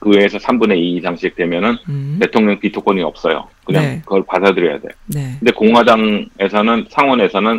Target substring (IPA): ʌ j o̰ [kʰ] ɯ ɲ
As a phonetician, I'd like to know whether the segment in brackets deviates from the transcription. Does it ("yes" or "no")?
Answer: yes